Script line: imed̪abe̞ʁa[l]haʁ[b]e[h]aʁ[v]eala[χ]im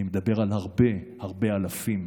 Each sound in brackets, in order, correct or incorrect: correct, correct, correct, incorrect, incorrect

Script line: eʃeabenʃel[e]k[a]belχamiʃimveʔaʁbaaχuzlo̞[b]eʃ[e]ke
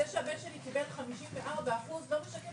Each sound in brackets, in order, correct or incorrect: incorrect, incorrect, incorrect, incorrect

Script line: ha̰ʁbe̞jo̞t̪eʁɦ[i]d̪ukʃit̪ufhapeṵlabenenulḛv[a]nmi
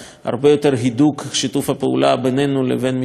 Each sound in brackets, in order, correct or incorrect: correct, incorrect

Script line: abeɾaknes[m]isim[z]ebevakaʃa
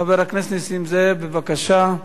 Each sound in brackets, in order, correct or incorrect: incorrect, correct

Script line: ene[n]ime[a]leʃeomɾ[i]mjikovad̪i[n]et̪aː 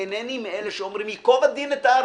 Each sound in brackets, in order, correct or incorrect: correct, incorrect, correct, correct

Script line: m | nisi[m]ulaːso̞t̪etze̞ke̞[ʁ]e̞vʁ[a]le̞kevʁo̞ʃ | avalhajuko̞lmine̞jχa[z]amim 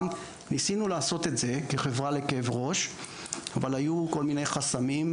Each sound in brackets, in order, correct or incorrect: incorrect, incorrect, correct, incorrect

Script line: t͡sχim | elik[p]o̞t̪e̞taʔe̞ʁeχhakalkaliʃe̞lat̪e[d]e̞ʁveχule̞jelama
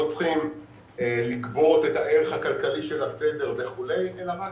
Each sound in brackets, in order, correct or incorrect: incorrect, correct

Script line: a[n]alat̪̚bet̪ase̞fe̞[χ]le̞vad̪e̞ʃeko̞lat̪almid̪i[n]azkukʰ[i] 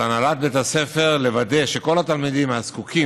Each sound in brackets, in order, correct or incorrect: correct, incorrect, incorrect, correct

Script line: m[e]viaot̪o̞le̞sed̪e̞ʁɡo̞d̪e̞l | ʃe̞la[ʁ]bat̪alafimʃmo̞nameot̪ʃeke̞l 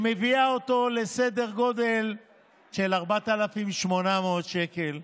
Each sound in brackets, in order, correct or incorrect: correct, correct

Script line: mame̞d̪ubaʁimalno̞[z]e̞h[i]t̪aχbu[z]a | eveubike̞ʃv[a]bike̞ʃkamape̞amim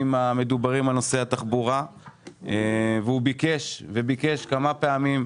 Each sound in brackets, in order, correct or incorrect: incorrect, incorrect, incorrect, incorrect

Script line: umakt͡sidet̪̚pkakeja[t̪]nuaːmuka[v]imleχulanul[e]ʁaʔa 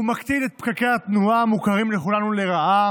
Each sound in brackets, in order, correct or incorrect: correct, incorrect, correct

